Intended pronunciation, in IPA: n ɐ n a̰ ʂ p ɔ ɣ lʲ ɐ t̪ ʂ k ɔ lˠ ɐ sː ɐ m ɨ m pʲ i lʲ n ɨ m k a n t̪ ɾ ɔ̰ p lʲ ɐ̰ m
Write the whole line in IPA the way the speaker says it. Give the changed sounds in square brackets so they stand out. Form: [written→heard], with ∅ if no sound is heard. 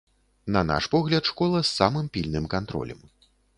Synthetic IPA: n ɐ n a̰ ʂ p ɔ ɣ lʲ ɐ t̪ ʂ k ɔ lˠ ɐ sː [ɐ→a] m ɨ m pʲ i lʲ n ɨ m k a n t̪ ɾ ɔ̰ [p→∅] lʲ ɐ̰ m